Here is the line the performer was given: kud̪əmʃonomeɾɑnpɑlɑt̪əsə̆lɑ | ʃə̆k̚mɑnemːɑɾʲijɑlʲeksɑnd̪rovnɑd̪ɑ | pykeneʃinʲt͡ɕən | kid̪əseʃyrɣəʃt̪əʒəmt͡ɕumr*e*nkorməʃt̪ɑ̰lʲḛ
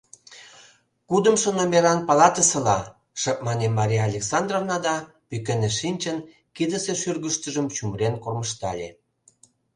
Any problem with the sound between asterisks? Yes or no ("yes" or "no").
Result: no